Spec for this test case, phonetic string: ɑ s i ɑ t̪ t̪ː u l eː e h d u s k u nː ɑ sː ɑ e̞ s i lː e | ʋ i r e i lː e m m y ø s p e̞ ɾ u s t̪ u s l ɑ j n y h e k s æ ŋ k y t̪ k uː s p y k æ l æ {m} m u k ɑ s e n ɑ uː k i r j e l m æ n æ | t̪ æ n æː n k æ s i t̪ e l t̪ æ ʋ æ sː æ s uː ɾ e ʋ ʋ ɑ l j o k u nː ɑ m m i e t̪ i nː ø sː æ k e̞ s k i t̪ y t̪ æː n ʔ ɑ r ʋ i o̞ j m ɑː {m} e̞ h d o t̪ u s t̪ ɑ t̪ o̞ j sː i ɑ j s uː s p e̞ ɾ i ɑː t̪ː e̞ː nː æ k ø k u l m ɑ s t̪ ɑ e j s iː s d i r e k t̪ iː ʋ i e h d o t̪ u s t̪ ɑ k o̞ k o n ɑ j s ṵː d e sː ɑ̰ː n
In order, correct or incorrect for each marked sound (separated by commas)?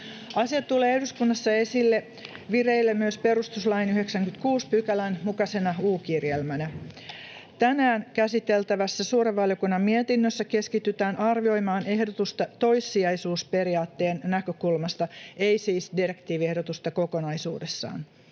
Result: incorrect, incorrect